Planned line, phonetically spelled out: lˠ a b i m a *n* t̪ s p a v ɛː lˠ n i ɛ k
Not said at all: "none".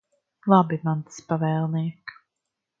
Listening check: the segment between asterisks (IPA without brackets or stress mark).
n